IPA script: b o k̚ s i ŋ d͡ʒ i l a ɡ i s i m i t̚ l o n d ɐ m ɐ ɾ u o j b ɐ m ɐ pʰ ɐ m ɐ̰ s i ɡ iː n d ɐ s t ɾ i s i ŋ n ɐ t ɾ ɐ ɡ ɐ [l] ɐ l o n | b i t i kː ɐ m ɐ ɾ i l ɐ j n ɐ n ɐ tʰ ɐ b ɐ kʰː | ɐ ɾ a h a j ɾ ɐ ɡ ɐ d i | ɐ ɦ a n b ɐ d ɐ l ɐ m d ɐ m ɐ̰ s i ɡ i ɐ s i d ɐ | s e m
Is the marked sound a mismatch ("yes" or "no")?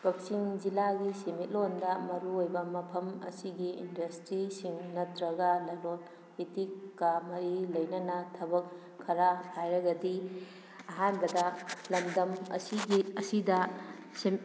no